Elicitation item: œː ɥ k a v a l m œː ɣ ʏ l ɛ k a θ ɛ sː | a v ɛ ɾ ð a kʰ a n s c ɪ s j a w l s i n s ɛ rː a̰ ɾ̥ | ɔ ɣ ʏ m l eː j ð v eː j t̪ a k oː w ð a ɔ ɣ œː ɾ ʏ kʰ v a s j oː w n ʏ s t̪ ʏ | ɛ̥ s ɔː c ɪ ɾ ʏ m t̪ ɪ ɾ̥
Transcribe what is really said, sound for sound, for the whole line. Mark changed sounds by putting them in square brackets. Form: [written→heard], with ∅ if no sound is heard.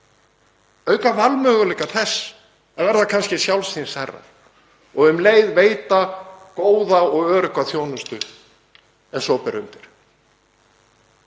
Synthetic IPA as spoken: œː ɥ k a v a l m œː ɣ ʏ l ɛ k a θ ɛ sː | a v ɛ ɾ ð a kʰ a n s c ɪ s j a w l s i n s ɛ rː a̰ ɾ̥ | ɔ ɣ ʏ m l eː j ð v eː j t̪ a k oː w ð a ɔ ɣ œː ɾ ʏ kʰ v a [s→θ] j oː w n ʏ s t̪ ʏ | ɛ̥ s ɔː [c→p] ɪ ɾ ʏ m t̪ ɪ ɾ̥